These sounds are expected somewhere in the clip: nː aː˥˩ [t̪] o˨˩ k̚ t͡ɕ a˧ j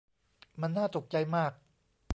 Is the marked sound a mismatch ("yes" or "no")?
no